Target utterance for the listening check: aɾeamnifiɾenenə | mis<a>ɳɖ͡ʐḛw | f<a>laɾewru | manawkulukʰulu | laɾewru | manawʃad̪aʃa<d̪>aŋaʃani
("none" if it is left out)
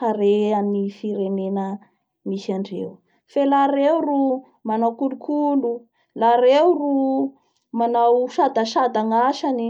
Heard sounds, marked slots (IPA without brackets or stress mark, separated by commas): a, e, d̪